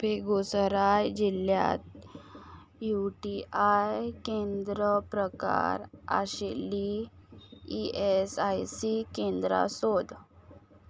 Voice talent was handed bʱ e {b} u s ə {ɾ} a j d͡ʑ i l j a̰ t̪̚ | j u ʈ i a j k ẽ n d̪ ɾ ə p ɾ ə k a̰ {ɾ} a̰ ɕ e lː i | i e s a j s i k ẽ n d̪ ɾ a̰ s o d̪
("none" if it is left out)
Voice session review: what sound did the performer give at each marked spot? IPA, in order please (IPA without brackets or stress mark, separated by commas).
ɡ, ɾ, ɾ